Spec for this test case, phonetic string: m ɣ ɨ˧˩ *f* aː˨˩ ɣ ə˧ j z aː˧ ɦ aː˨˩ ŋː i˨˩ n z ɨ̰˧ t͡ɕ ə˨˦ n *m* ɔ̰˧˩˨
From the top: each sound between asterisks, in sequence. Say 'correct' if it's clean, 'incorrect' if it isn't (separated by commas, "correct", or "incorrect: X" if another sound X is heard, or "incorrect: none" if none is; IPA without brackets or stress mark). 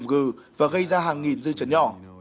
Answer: incorrect: v, incorrect: ɲ